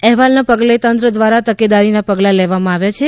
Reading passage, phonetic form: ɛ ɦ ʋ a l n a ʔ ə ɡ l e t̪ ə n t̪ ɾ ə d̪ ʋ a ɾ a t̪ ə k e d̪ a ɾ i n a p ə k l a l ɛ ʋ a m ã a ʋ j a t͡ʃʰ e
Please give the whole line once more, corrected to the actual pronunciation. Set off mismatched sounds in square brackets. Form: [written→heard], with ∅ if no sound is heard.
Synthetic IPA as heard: ɛ ɦ ʋ a l n a [ʔ→p] ə ɡ l e t̪ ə n t̪ ɾ ə d̪ ʋ a ɾ a t̪ ə k e d̪ a ɾ i n a p ə [k→ɡ] l a l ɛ ʋ a m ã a ʋ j a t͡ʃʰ e